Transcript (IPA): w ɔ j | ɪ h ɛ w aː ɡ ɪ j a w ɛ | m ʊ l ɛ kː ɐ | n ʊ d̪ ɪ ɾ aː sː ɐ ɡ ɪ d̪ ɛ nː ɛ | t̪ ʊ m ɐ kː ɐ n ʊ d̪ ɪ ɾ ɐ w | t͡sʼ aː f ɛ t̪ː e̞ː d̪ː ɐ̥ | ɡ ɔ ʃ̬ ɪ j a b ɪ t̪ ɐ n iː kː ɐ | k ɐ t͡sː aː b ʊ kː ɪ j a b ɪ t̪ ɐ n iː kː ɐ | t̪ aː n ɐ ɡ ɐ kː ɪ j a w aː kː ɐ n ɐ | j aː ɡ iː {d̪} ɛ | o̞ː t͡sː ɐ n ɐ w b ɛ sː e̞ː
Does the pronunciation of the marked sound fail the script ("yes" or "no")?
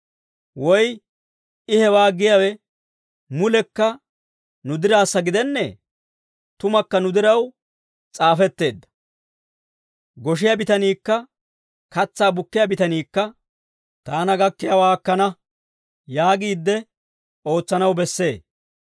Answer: yes